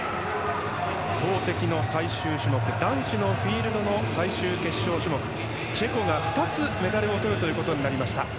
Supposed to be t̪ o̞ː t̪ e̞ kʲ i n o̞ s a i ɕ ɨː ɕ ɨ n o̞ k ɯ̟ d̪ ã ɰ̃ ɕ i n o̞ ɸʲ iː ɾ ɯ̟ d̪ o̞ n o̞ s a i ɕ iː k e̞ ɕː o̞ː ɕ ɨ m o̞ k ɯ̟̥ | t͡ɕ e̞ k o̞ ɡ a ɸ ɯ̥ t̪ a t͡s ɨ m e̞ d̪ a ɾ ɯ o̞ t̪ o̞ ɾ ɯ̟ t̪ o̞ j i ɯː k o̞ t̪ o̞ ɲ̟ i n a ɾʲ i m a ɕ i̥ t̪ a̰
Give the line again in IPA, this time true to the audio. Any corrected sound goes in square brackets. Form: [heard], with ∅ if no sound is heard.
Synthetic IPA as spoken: t̪ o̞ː t̪ e̞ kʲ i n o̞ s a i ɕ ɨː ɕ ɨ [m] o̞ k ɯ̟ d̪ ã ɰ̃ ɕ i n o̞ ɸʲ iː ɾ ɯ̟ d̪ o̞ n o̞ s a i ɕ [ɨː] k e̞ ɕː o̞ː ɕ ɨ m o̞ k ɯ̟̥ | t͡ɕ e̞ k o̞ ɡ a ɸ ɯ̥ t̪ a t͡s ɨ m e̞ d̪ a ɾ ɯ o̞ t̪ o̞ ɾ ɯ̟ t̪ o̞ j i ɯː k o̞ t̪ o̞ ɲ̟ i n a ɾʲ i m a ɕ i̥ t̪ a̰